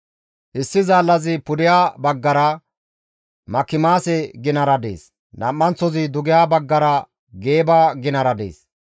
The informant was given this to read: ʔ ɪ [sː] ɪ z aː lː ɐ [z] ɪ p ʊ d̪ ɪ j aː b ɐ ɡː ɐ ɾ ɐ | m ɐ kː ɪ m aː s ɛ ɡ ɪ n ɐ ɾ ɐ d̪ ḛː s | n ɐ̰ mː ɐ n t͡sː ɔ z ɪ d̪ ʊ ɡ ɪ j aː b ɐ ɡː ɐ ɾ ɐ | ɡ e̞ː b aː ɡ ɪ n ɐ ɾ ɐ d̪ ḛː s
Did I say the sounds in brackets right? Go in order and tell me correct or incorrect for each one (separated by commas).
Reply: correct, correct